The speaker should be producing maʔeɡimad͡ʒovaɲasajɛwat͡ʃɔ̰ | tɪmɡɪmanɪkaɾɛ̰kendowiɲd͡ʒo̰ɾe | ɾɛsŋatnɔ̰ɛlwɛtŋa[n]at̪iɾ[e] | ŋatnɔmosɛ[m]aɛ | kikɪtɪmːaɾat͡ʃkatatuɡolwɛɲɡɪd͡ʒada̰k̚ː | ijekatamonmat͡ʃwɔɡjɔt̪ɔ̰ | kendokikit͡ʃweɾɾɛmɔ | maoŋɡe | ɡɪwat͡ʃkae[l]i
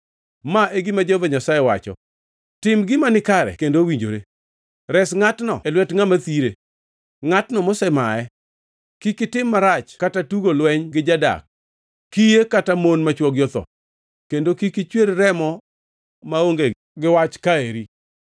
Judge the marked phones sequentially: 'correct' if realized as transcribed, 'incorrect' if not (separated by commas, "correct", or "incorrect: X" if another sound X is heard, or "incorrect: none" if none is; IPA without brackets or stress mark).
incorrect: m, correct, correct, incorrect: ɾ